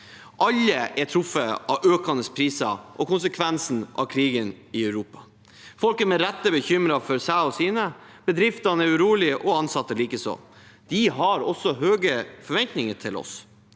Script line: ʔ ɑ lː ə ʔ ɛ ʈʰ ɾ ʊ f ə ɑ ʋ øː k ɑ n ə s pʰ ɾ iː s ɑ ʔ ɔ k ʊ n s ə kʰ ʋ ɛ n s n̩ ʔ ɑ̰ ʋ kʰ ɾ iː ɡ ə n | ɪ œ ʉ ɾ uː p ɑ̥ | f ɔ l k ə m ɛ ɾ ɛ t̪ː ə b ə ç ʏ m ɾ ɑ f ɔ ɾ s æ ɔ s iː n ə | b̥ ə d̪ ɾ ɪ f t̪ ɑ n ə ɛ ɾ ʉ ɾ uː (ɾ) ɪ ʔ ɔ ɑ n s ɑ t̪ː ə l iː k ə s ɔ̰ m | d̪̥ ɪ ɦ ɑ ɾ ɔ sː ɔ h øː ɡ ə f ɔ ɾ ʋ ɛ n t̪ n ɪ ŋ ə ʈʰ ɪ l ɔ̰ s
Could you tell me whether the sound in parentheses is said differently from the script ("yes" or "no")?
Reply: yes